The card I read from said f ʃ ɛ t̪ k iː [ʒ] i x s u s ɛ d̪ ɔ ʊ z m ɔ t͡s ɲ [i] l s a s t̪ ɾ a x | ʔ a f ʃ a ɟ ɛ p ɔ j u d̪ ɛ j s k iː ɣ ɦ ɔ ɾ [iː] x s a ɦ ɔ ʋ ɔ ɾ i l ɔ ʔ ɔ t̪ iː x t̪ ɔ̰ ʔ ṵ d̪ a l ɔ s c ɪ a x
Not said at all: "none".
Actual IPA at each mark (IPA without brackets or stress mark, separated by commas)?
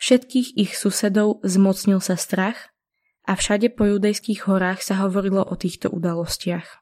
ɣ, i, aː